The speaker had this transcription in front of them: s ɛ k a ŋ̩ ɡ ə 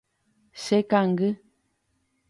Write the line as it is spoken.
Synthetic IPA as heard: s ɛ k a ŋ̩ ɡ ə